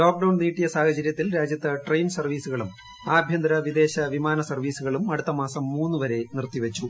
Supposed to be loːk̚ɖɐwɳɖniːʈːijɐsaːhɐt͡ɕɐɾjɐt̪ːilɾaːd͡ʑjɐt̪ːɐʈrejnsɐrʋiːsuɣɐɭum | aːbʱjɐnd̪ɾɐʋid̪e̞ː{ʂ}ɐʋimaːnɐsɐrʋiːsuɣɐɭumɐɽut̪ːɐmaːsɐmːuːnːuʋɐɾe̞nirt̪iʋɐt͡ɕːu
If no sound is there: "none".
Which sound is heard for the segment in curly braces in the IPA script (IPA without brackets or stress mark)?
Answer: ɕ